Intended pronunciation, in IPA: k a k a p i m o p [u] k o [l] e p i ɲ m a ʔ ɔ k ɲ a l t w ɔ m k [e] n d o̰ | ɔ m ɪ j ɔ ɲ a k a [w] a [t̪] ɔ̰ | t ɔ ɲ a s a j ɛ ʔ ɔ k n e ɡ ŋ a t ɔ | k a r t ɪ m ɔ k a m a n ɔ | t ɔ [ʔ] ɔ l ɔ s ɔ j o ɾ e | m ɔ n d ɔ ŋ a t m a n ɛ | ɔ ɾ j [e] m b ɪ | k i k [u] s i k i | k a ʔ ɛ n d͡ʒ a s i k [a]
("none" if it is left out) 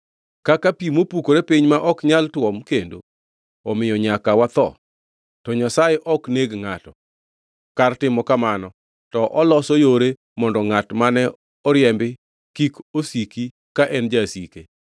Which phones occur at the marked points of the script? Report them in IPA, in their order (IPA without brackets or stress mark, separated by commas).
u, ɾ, e, w, t̪, ʔ, ɛ, o, e